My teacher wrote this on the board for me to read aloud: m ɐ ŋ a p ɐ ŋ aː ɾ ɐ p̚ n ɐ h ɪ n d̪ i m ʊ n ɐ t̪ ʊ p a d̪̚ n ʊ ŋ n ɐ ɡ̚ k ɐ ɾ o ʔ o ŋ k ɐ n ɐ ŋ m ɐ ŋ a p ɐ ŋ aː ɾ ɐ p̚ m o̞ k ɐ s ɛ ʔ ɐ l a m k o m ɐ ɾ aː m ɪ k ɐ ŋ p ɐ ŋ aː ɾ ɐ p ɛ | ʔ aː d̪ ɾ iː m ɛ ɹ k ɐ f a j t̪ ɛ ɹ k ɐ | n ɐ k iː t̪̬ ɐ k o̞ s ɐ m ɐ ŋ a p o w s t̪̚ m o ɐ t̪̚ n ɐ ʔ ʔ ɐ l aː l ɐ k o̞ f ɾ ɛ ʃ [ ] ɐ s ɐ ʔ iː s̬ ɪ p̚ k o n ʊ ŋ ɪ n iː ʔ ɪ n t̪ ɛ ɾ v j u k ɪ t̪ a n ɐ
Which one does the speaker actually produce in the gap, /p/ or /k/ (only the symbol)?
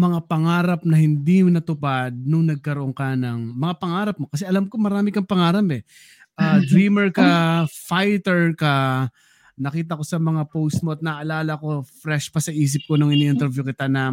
p